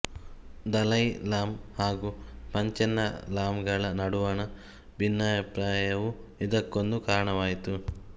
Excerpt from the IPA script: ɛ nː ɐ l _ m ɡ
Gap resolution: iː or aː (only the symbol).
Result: aː